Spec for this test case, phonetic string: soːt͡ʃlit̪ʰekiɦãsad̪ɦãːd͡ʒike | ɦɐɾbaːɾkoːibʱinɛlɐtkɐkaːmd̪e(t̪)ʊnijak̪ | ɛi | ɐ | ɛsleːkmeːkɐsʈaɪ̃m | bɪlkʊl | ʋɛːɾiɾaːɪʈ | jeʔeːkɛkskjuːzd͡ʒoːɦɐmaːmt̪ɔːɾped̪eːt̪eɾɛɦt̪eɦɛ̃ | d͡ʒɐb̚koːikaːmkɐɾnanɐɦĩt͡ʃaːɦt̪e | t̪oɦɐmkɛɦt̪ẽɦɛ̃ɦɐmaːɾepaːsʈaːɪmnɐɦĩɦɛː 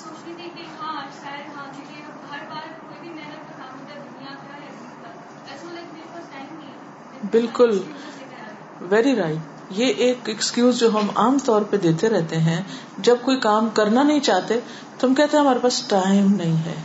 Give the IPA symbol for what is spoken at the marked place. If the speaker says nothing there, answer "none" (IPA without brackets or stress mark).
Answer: d̪